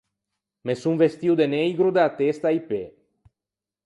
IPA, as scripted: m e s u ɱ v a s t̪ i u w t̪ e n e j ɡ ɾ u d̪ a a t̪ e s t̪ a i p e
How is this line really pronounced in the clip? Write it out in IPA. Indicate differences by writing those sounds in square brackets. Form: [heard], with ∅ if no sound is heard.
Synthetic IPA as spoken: m e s u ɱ v [e] s t̪ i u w [d̪] e n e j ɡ ɾ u d̪ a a t̪ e s t̪ a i p e